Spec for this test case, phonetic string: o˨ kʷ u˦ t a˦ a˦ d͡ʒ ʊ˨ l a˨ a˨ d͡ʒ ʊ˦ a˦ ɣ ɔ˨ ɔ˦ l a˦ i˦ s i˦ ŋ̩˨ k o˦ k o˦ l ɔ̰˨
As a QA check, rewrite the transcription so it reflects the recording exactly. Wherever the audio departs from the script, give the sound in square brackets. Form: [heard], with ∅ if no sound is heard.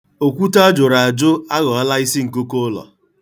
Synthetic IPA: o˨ kʷ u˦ t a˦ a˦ d͡ʒ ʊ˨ [ɾ] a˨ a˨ d͡ʒ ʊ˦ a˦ ɣ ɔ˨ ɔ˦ l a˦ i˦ s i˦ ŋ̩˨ k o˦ k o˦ l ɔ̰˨